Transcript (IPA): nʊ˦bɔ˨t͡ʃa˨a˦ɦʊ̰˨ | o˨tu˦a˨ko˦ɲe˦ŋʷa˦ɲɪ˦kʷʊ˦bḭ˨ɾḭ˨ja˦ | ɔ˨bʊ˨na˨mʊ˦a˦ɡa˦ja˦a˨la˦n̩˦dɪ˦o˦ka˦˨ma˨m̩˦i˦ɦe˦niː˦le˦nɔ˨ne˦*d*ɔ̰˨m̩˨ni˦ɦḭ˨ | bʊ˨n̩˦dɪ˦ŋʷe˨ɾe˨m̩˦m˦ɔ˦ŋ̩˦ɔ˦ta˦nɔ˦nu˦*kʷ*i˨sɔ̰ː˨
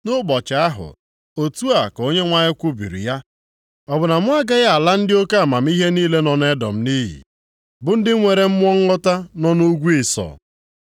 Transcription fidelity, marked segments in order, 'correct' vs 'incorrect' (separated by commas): correct, incorrect